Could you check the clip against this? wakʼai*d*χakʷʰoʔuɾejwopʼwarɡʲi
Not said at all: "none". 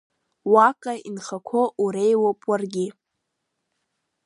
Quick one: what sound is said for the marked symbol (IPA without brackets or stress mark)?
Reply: n